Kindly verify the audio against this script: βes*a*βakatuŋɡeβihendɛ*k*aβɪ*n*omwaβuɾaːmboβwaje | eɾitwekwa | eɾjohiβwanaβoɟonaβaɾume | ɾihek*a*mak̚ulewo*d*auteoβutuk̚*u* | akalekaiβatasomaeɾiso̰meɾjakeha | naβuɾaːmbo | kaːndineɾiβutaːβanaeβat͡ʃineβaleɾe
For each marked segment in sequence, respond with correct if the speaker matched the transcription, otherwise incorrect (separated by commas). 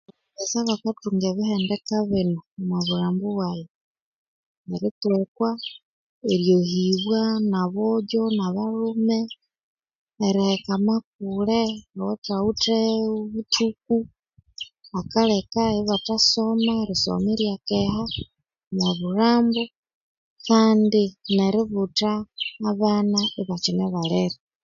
correct, correct, correct, correct, incorrect, correct